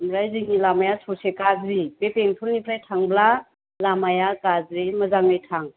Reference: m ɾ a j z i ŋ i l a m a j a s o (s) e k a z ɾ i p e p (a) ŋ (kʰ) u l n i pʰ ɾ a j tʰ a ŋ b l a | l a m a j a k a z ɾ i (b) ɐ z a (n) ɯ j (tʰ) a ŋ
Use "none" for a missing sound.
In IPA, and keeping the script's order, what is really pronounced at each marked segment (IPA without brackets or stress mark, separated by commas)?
s, e, tʰ, m, ŋ, tʰ